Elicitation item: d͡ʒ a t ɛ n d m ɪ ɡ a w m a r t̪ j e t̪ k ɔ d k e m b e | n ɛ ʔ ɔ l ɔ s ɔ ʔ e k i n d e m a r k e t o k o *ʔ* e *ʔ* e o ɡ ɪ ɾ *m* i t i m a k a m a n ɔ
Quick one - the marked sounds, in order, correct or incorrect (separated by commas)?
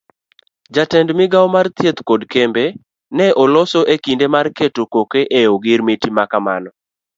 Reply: incorrect, correct, correct